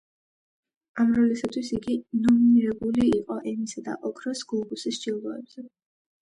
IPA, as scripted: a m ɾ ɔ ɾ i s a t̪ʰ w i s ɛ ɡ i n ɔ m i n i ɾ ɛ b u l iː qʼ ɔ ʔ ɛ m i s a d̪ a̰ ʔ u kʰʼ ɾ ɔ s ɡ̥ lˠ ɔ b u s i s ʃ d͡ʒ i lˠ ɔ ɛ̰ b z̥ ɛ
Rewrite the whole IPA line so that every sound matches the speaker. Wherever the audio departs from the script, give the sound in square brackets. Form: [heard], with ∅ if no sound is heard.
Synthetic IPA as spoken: a m ɾ ɔ [l] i s a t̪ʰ w i s [i] ɡ i n ɔ m i n i ɾ ɛ b u l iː qʼ ɔ ʔ ɛ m i s a d̪ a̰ ʔ [ɔ] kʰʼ ɾ ɔ s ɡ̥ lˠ ɔ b u s i s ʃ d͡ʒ i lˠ ɔ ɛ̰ b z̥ ɛ

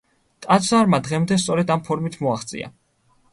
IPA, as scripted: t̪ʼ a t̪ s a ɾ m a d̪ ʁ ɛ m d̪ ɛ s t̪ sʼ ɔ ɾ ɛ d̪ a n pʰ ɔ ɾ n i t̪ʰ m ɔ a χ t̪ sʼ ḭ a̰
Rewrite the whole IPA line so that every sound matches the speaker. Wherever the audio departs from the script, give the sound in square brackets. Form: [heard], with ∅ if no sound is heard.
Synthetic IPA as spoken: t̪ʼ a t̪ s a ɾ m a d̪ ʁ ɛ m d̪ ɛ s t̪ sʼ ɔ ɾ ɛ d̪ a [m] pʰ ɔ ɾ [m] i t̪ʰ m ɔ a χ t̪ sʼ ḭ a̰

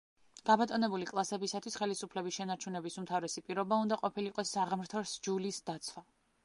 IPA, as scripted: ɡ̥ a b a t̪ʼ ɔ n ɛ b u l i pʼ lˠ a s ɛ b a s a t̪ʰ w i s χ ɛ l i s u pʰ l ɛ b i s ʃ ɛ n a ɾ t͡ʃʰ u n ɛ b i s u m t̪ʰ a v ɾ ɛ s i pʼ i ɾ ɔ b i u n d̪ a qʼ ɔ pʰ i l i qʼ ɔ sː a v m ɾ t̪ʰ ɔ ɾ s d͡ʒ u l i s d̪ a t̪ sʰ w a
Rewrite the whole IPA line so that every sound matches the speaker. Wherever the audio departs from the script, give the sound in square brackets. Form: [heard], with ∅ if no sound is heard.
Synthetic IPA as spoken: ɡ̥ a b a t̪ʼ ɔ n ɛ b u l i [kʼ] lˠ a s ɛ b [i] s a t̪ʰ w i s χ ɛ l i s u pʰ l ɛ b i s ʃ ɛ n a ɾ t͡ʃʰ u n ɛ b i s u m t̪ʰ a v ɾ ɛ s i pʼ i ɾ ɔ b [a] u n d̪ a qʼ ɔ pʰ i l i qʼ ɔ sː a [ʁ] m ɾ t̪ʰ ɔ ɾ s d͡ʒ u l i s d̪ a t̪ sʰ w a

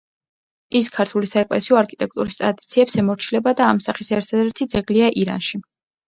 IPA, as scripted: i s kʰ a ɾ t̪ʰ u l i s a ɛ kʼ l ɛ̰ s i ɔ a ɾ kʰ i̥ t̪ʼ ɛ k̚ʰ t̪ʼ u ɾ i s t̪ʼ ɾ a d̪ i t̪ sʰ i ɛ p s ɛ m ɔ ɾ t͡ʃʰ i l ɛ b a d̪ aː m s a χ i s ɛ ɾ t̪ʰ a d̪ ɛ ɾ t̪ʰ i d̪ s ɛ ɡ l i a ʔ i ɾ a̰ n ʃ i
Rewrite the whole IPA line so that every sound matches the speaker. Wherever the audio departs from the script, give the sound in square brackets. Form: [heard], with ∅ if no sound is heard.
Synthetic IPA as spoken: i s kʰ a ɾ t̪ʰ u l i s a ɛ kʼ l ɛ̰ s i ɔ a ɾ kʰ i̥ t̪ʼ ɛ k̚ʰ t̪ʼ u ɾ i s t̪ʼ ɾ a d̪ i t̪ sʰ i ɛ p s ɛ m ɔ ɾ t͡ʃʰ i l ɛ b a d̪ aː m s a χ i s ɛ ɾ t̪ʰ a d̪ ɛ ɾ t̪ʰ i d̪ [z] ɛ ɡ l i a ʔ i ɾ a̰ n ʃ i

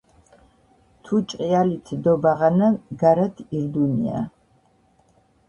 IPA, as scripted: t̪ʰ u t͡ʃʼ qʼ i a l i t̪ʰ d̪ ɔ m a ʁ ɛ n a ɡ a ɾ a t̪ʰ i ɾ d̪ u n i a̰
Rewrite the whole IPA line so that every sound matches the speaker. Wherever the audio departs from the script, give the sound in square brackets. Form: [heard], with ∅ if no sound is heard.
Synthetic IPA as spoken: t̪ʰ u t͡ʃʼ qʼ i a l i t̪ʰ d̪ ɔ [b] a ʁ [a] n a ɡ a ɾ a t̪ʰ i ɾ d̪ u n i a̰

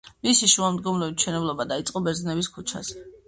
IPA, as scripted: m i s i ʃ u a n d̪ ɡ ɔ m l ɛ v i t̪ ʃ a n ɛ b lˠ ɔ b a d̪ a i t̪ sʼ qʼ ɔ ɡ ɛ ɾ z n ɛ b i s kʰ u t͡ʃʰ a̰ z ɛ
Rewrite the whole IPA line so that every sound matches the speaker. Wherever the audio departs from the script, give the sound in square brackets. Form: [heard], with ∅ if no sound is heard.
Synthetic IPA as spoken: m i s i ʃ u a [m] d̪ ɡ ɔ m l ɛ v i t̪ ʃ [ɛ] n ɛ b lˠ ɔ b a d̪ a i t̪ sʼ qʼ ɔ [b] ɛ ɾ z n ɛ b i s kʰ u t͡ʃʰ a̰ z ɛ

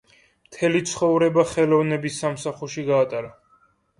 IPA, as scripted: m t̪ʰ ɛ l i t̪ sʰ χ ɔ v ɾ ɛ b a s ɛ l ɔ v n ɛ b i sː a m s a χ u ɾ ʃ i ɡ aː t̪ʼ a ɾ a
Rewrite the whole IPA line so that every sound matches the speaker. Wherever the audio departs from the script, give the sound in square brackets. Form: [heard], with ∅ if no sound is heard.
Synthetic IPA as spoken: m t̪ʰ ɛ l i t̪ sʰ χ ɔ v ɾ ɛ b a [χ] ɛ l ɔ v n ɛ b i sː a m s a χ u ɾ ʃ i ɡ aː t̪ʼ a ɾ a

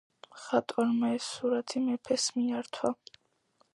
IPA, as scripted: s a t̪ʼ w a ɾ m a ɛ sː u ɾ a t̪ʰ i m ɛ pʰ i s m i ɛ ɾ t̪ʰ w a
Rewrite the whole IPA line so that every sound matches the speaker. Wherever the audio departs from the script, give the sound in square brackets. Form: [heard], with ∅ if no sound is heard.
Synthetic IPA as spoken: [χ] a t̪ʼ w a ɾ m a ɛ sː u ɾ a t̪ʰ i m ɛ pʰ [ɛ] s m i [a] ɾ t̪ʰ w a

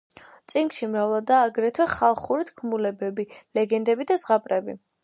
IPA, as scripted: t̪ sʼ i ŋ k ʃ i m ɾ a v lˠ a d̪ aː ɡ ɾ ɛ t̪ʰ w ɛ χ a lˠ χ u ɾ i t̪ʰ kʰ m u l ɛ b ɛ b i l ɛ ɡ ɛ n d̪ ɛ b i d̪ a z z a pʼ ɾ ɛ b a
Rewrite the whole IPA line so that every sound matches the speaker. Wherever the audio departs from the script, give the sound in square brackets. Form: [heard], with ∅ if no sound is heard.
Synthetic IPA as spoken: t̪ sʼ i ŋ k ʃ i m ɾ a v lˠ a d̪ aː ɡ ɾ ɛ t̪ʰ w ɛ χ a lˠ χ u ɾ i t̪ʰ kʰ m u l ɛ b ɛ b i l ɛ ɡ ɛ n d̪ ɛ b i d̪ a z [ʁ] a pʼ ɾ ɛ b [i]

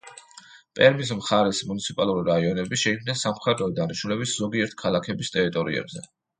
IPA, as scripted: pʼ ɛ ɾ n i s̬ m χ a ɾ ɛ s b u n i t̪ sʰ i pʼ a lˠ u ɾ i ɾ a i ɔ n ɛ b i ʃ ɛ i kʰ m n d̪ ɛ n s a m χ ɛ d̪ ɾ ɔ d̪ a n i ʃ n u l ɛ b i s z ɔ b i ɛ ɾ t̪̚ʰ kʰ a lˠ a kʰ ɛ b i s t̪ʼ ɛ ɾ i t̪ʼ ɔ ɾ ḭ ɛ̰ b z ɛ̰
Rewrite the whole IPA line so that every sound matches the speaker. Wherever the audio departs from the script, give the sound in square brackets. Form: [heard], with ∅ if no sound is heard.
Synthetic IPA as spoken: pʼ ɛ ɾ [m] i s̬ m χ a ɾ ɛ s [m] u n i t̪ sʰ i pʼ a lˠ u ɾ i ɾ a i ɔ n ɛ b i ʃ ɛ i kʰ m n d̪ ɛ n s a m χ ɛ d̪ ɾ ɔ d̪ a n i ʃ n u l ɛ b i s z ɔ [ɡ] i ɛ ɾ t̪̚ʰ kʰ a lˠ a kʰ ɛ b i s t̪ʼ ɛ ɾ i t̪ʼ ɔ ɾ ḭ ɛ̰ b z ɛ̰

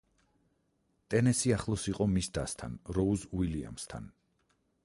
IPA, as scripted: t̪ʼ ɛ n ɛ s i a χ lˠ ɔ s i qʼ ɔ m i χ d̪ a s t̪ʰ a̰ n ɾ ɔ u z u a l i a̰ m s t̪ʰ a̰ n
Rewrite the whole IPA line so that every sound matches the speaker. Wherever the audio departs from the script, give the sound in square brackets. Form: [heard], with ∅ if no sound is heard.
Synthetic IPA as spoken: t̪ʼ ɛ n ɛ s i a χ lˠ ɔ s i qʼ ɔ m i [s] d̪ a s t̪ʰ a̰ n ɾ ɔ u z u [i] l i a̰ m s t̪ʰ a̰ n

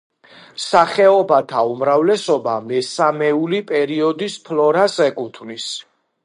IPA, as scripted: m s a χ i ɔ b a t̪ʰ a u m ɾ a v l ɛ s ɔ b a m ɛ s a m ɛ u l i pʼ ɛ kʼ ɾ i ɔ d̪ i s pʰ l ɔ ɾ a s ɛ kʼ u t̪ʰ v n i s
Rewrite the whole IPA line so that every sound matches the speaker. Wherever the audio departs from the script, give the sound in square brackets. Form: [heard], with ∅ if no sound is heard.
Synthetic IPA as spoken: m s a χ [ɛ] ɔ b a t̪ʰ a u m ɾ a v l ɛ s ɔ b a m ɛ s a m ɛ u l i pʼ ɛ [∅] ɾ i ɔ d̪ i s pʰ l ɔ ɾ a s ɛ kʼ u t̪ʰ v n i s

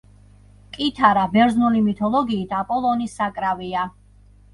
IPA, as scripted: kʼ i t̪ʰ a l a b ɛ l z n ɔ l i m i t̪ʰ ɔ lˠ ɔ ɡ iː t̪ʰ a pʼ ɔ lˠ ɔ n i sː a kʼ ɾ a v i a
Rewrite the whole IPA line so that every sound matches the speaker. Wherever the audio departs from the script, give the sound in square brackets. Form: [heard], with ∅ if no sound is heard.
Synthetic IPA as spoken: kʼ i t̪ʰ a [ɾ] a b ɛ [ɾ] z n [u] l i m i t̪ʰ ɔ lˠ ɔ ɡ iː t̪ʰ a pʼ ɔ lˠ ɔ n i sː a kʼ ɾ a v i a

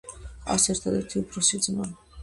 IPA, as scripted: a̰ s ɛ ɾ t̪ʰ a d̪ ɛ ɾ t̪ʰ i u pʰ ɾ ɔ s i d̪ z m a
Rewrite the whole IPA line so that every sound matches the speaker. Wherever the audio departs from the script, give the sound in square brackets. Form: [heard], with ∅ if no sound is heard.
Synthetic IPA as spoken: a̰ s ɛ ɾ t̪ʰ a d̪ ɛ ɾ t̪ʰ i u pʰ ɾ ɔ s i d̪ z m a

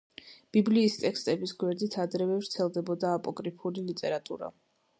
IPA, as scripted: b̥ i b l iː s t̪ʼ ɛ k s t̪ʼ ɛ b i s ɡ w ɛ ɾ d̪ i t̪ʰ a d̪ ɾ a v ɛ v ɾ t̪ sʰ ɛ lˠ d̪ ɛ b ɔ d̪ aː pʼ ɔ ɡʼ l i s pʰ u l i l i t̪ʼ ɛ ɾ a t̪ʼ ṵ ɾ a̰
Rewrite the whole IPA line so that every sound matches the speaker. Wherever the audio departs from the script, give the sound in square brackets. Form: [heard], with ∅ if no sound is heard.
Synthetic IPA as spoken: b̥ i b l iː s t̪ʼ ɛ k s t̪ʼ ɛ b i s ɡ w ɛ ɾ d̪ i t̪ʰ a d̪ ɾ [ɛ] v ɛ v ɾ t̪ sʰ ɛ lˠ d̪ ɛ b ɔ d̪ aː pʼ ɔ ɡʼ [ɾ] i [∅] pʰ u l i l i t̪ʼ ɛ ɾ a t̪ʼ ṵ ɾ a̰

